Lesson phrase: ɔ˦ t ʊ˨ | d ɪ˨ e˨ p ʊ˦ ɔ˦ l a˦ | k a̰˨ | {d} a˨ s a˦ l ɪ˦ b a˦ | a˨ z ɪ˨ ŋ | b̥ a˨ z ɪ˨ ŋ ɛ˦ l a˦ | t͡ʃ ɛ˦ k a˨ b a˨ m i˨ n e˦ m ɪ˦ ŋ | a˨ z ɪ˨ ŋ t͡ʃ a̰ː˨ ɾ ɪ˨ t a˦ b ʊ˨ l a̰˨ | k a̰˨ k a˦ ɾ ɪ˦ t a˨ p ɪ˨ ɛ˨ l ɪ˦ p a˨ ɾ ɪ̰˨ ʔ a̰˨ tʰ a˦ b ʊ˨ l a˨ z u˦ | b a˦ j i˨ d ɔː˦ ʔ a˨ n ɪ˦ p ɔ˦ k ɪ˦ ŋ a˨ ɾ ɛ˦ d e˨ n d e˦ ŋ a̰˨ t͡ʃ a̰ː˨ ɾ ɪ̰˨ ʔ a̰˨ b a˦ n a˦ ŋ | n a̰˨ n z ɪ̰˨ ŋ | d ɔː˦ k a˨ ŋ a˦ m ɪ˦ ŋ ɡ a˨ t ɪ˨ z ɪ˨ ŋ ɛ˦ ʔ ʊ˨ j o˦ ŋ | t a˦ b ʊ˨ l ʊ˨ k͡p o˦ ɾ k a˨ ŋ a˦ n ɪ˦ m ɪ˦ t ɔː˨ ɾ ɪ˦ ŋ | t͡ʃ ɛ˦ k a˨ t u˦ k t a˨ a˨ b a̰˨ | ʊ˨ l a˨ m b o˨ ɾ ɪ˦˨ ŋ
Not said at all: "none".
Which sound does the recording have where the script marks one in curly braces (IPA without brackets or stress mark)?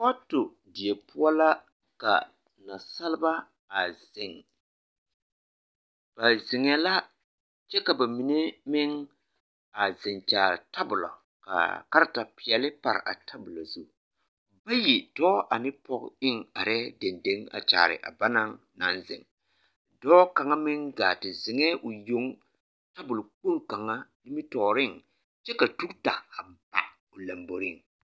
n